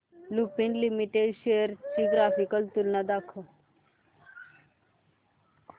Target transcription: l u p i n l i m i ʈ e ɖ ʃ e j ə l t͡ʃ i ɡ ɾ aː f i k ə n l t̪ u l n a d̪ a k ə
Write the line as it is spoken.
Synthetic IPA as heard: l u p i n l i m i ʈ e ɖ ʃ e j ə ɾ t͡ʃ i ɡ ɾ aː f i k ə l t̪ u l n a d̪ a kʰ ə